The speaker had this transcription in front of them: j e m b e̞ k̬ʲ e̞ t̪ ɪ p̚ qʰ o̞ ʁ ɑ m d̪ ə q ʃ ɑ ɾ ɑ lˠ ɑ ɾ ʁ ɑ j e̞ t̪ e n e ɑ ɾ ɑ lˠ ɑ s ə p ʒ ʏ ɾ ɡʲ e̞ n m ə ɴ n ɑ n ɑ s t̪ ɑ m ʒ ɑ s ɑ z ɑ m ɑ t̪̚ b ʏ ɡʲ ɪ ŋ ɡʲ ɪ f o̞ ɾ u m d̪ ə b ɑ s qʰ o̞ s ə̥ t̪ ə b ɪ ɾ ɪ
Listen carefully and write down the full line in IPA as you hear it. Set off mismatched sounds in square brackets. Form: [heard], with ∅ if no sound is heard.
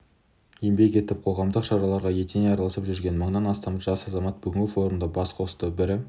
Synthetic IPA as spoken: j e m b e̞ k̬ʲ e̞ t̪ ɪ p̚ qʰ o̞ ʁ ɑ m d̪ ə q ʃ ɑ ɾ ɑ lˠ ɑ ɾ ʁ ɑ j e̞ t̪ e n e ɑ ɾ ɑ lˠ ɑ s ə p ʒ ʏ ɾ ɡʲ e̞ n m ə ɴ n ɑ n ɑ s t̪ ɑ m ʒ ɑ s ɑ z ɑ m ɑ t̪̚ b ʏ ɡʲ ɪ ŋ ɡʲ ɪ f o̞ ɾ u m d̪ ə b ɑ s qʰ o̞ s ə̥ t̪ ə b ɪ ɾ ɪ